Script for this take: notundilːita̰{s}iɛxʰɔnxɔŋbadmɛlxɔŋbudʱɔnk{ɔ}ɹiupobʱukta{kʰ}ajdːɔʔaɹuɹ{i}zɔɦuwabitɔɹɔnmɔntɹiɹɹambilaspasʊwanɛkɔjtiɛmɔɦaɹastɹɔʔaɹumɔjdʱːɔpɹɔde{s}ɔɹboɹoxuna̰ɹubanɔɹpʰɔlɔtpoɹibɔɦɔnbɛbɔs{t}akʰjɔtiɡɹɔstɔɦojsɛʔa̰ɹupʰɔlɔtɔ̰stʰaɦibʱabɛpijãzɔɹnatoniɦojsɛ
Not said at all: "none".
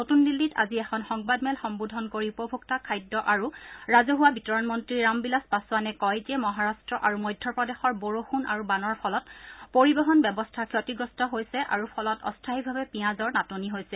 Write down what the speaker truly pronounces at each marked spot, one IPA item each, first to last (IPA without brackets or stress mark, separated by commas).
z, o, kʰ, a, x, tʰ